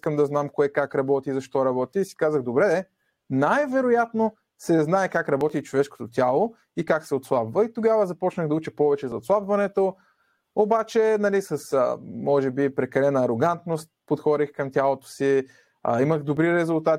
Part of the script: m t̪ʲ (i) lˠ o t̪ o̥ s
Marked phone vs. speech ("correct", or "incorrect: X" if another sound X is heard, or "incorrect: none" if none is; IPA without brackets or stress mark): incorrect: a